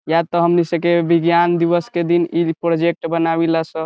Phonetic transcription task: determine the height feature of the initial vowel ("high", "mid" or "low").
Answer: low